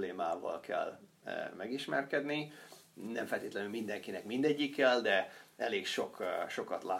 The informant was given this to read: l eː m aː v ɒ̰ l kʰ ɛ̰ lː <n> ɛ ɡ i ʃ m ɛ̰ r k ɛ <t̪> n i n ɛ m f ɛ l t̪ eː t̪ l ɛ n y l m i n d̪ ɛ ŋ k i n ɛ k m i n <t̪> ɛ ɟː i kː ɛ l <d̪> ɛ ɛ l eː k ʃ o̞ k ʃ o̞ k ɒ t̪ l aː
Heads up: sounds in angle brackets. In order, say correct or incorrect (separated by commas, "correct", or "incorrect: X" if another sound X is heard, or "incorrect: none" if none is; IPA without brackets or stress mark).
incorrect: m, incorrect: d̪, incorrect: d̪, correct